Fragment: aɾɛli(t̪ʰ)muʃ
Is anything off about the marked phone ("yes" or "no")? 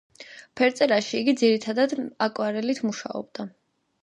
no